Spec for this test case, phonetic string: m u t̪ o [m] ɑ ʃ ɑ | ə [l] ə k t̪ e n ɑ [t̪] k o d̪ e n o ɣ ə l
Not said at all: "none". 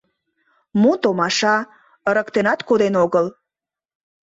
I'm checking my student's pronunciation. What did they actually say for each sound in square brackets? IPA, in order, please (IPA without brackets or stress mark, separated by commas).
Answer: m, ɾ, t̪